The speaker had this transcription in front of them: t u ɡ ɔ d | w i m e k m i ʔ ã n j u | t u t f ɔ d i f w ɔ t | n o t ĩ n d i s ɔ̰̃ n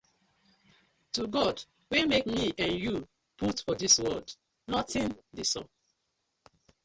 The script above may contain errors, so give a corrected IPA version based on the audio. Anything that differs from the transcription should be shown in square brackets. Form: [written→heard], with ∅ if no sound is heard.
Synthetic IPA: t u ɡ ɔ d | w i m e k m i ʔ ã n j u | [t→p] u t f ɔ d i [f→s] w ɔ [t→d] | n [o→ɔ] t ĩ n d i s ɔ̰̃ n